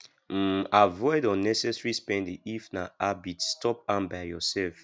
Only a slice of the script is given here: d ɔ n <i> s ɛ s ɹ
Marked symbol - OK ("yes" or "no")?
no